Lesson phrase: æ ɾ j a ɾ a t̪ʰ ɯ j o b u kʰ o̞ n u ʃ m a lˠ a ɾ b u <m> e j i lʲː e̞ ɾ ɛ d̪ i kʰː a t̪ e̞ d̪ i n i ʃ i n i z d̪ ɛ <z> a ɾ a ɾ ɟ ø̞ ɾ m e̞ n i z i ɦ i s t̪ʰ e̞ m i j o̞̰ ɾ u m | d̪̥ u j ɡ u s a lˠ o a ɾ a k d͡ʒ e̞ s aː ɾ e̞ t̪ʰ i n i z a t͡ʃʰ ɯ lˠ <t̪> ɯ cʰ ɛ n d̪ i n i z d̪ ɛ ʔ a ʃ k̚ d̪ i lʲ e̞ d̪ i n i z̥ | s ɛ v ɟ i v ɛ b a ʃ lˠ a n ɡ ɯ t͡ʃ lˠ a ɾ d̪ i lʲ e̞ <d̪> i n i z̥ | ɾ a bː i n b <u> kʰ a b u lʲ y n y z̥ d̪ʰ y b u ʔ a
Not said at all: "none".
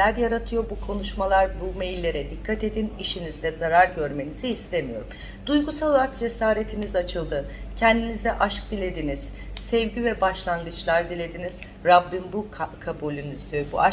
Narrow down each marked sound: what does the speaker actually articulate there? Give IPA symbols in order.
m, z, d̪, d̪, u

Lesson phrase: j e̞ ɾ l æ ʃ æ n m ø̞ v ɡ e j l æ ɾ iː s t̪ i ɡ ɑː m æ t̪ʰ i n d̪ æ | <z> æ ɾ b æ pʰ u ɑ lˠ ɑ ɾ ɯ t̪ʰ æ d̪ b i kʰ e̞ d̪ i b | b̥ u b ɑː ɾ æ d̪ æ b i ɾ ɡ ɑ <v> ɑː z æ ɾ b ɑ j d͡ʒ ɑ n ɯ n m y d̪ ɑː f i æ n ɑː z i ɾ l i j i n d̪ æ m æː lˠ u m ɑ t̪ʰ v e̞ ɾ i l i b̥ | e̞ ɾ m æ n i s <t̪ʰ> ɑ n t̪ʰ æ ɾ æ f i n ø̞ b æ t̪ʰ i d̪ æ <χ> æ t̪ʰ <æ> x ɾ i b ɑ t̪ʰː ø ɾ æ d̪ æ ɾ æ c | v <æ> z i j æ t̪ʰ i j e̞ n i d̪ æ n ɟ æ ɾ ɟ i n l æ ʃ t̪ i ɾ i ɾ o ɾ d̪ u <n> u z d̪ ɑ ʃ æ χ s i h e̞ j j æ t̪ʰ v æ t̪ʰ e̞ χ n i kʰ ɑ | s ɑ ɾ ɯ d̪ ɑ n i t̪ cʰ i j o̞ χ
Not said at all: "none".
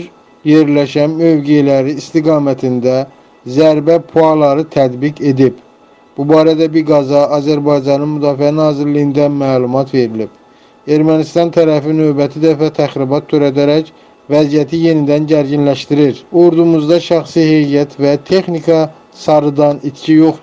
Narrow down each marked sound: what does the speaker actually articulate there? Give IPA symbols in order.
z, z, t̪, f, æ, æ, m

